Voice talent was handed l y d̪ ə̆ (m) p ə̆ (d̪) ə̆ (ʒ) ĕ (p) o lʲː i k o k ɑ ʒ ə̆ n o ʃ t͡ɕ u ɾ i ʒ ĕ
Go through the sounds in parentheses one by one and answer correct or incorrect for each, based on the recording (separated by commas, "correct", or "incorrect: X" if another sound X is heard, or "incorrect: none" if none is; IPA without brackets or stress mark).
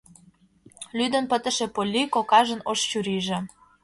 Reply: incorrect: n, incorrect: t̪, incorrect: ʃ, correct